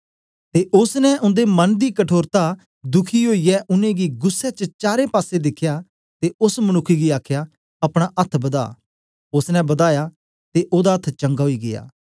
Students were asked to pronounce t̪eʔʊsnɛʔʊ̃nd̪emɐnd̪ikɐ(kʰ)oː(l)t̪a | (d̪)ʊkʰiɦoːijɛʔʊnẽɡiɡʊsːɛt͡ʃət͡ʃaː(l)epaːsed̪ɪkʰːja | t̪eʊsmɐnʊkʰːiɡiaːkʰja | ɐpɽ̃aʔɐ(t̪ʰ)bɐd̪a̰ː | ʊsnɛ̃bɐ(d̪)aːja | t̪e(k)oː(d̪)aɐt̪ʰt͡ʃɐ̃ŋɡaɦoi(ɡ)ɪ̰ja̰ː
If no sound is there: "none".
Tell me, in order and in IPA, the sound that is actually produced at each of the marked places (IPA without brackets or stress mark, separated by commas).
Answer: ʈʰ, ɾ, d̪, ɾ, t̪ʰ, d̪, ʔ, d̪, ɡ